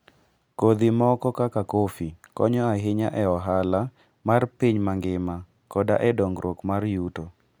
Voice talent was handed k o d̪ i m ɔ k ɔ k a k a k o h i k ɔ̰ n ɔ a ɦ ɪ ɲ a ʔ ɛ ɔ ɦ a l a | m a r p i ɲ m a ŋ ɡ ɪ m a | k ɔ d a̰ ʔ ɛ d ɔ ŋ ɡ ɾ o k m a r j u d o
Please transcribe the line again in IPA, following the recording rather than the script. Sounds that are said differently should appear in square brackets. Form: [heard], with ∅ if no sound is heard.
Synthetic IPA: k o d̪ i m ɔ k ɔ k a k a k o [f] i k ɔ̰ [ɲ] ɔ a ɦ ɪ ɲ a ʔ ɛ ɔ ɦ a l a | m a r p i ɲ m a ŋ ɡ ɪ m a | k ɔ d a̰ ʔ ɛ d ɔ ŋ ɡ ɾ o k m a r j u [t] o